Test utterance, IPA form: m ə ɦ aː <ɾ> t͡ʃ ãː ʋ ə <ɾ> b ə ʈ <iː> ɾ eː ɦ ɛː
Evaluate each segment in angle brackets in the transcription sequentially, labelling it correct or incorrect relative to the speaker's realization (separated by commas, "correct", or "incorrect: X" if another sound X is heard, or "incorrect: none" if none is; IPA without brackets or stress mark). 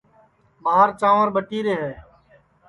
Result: correct, correct, correct